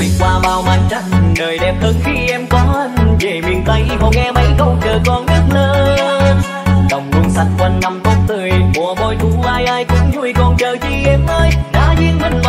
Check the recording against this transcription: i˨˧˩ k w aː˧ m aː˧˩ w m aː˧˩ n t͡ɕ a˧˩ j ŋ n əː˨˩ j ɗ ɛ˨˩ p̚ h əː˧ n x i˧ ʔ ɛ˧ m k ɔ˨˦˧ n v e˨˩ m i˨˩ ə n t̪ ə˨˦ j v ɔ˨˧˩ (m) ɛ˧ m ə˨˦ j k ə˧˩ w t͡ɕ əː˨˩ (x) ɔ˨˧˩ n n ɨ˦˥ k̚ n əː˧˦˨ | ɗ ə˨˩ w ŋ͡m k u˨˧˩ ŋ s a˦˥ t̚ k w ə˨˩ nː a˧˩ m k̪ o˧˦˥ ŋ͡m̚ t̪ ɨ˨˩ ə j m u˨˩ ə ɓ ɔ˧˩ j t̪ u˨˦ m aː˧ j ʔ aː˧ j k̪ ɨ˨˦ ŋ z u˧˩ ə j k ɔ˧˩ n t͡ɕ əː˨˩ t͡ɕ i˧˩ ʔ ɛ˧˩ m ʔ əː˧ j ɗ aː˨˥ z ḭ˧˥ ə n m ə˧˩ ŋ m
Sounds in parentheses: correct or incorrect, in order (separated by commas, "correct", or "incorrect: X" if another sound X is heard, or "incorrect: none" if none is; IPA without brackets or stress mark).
incorrect: ŋ, incorrect: k